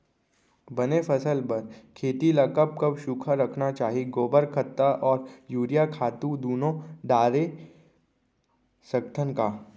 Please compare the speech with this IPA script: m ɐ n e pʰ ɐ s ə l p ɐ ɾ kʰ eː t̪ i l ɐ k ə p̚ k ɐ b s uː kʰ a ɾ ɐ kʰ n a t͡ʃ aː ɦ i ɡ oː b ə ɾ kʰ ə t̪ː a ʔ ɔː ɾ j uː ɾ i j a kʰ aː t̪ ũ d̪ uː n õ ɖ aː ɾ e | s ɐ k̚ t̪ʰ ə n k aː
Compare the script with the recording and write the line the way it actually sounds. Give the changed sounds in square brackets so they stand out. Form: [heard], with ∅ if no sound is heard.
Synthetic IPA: [b] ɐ n e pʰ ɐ s ə l p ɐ ɾ kʰ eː t̪ i l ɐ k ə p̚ k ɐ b [ʃ] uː kʰ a ɾ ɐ kʰ n a t͡ʃ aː ɦ i ɡ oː b ə ɾ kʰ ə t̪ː a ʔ ɔː ɾ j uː ɾ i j a kʰ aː t̪ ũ d̪ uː n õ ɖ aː ɾ e | s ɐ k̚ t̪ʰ ə n k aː

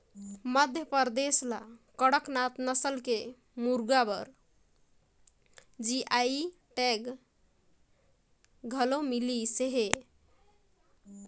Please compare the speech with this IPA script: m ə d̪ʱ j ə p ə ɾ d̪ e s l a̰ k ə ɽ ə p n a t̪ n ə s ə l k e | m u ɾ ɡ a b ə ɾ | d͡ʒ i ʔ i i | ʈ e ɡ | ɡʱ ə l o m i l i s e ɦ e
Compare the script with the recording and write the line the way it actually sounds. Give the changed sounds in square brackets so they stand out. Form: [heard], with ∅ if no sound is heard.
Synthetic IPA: m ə d̪ʱ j ə p ə ɾ d̪ e s l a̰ k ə ɽ ə [k] n a t̪ n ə s ə l k e | m u ɾ ɡ a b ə ɾ | d͡ʒ i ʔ [a] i | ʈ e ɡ | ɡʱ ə l o m i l i s e ɦ e

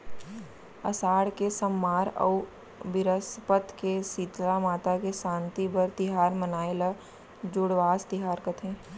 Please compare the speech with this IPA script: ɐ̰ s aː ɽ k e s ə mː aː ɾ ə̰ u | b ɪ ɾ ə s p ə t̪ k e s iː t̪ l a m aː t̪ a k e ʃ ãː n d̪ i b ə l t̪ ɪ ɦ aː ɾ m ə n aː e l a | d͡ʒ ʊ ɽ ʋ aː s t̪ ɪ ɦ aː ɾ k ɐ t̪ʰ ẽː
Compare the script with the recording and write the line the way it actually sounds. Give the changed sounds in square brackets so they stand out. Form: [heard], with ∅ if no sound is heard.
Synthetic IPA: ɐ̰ s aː ɽ k e s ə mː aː ɾ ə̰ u | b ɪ ɾ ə s p ə t̪ k e s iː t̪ l a m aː t̪ a k e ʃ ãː n [t̪] i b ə [ɾ] t̪ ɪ ɦ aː ɾ m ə n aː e l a | d͡ʒ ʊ ɽ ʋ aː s t̪ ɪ ɦ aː ɾ k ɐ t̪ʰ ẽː

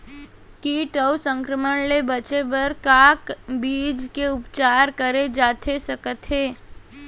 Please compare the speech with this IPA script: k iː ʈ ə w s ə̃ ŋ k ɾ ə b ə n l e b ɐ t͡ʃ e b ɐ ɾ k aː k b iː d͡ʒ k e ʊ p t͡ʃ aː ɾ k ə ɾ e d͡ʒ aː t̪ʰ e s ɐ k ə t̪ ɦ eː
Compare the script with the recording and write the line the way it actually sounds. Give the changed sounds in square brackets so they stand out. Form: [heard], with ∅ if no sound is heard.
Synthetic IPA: k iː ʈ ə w s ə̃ ŋ k ɾ ə [m] ə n l e b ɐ t͡ʃ e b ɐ ɾ k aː k b iː d͡ʒ k e ʊ p t͡ʃ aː ɾ k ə ɾ e d͡ʒ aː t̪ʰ e s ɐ k ə t̪ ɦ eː

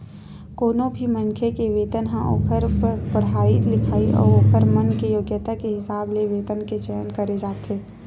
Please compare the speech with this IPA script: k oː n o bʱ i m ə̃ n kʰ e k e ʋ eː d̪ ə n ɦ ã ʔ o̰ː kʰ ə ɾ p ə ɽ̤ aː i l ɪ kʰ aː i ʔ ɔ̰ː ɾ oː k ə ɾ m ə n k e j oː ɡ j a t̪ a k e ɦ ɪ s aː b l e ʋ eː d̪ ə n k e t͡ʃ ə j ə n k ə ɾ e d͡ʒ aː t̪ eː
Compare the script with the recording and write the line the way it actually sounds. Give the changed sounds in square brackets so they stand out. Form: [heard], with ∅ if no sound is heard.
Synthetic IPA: k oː n o bʱ i m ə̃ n kʰ e k e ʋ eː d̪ ə n ɦ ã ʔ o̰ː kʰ ə ɾ p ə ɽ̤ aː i l ɪ kʰ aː i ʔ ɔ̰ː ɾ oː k ə ɾ m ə n k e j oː ɡ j [ə] t̪ a k e ɦ ɪ s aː b l e ʋ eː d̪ ə n k e t͡ʃ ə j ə n k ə ɾ e d͡ʒ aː t̪ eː

